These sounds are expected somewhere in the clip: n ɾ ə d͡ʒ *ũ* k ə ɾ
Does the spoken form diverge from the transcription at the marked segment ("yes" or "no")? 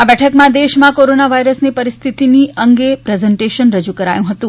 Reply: yes